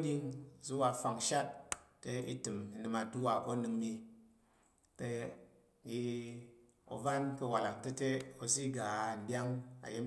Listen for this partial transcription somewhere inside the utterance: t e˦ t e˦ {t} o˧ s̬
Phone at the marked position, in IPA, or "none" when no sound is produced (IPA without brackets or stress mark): none